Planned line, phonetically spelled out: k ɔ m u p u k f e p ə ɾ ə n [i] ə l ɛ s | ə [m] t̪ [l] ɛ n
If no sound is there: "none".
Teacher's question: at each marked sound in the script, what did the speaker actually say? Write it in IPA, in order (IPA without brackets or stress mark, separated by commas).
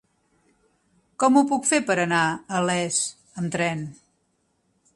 a, m, ɾ